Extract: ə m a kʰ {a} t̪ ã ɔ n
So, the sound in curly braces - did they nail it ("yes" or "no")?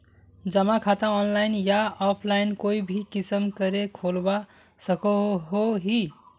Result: yes